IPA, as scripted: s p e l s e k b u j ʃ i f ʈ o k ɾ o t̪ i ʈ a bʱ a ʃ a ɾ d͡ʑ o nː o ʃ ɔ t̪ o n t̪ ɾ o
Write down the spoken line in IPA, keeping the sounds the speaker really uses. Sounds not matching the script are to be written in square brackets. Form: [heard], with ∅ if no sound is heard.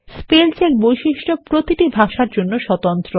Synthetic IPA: s p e l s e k b [o] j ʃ i [ʃ] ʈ o [p] ɾ o t̪ i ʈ [i] bʱ a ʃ a ɾ d͡ʑ o nː o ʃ ɔ t̪ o n t̪ ɾ o